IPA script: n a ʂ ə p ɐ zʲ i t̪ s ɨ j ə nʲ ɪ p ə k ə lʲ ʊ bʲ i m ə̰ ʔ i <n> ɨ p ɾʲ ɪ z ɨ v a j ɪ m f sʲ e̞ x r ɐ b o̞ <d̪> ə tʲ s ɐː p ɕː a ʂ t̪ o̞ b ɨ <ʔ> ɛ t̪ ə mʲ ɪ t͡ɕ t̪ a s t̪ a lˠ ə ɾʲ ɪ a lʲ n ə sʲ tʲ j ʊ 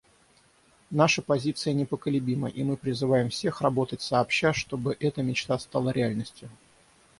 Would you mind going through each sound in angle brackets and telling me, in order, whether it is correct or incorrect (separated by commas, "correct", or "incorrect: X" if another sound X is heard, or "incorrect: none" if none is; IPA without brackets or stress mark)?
incorrect: m, incorrect: t̪, correct